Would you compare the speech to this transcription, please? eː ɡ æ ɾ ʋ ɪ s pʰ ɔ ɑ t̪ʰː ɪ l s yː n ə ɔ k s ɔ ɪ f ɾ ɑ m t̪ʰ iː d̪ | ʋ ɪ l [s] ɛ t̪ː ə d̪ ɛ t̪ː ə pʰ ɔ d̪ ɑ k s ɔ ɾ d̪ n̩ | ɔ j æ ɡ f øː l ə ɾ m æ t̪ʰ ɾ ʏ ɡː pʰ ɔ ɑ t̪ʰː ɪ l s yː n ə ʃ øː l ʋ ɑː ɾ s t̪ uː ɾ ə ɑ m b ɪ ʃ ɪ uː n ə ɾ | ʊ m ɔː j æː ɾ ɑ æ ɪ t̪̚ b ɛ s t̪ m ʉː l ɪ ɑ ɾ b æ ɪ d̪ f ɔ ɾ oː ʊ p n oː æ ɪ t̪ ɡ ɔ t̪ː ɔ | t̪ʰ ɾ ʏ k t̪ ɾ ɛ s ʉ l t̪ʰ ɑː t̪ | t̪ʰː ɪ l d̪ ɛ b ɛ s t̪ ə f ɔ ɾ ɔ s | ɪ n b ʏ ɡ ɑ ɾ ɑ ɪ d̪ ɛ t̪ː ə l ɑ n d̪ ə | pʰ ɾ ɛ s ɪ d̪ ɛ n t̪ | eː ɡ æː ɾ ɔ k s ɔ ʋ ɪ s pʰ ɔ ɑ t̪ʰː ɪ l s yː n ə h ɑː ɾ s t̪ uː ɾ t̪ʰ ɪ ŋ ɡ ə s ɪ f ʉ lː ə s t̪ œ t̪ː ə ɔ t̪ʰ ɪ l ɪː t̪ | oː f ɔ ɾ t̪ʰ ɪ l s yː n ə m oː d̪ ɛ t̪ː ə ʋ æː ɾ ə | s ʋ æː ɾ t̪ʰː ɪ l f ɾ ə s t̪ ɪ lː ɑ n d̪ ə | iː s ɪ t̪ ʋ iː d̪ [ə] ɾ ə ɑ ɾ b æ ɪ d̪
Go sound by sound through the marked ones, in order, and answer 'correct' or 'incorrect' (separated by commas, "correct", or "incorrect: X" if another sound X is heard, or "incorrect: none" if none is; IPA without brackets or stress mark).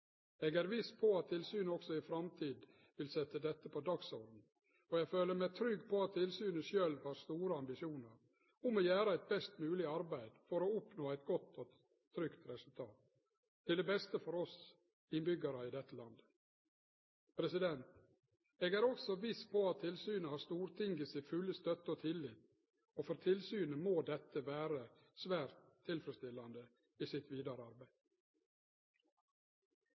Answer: correct, incorrect: ɑ